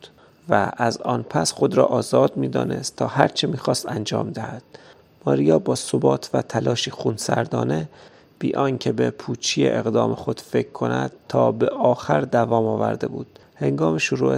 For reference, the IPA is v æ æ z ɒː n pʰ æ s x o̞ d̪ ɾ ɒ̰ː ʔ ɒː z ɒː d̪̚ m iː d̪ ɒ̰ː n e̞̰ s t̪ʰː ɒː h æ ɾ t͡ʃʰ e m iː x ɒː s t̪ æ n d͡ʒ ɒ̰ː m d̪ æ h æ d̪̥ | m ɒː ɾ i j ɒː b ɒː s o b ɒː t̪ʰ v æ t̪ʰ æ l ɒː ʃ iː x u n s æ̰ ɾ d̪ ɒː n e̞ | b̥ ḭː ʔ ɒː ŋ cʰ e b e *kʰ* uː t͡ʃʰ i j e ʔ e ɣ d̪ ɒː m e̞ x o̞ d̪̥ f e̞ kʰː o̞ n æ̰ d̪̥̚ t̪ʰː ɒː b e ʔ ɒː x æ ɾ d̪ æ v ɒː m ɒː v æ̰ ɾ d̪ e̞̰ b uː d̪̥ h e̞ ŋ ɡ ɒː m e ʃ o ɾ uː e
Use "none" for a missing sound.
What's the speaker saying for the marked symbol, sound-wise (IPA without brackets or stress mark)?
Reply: pʰ